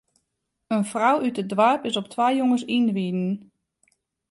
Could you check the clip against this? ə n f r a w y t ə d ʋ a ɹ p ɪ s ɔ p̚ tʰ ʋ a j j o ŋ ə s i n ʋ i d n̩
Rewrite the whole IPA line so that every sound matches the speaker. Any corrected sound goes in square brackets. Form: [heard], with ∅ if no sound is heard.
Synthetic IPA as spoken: ə n f r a w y t ə d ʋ a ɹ p ɪ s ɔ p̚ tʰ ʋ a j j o ŋ ə s i n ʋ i d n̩